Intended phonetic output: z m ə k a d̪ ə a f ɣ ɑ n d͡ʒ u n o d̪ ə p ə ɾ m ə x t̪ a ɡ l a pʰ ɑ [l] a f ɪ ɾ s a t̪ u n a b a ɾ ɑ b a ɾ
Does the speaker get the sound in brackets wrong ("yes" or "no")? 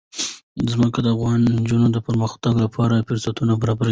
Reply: yes